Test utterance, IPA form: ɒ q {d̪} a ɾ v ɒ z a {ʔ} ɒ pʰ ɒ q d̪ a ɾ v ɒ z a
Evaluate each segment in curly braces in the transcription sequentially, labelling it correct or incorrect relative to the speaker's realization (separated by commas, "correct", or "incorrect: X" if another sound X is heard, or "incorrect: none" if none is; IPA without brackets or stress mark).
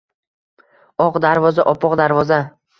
correct, correct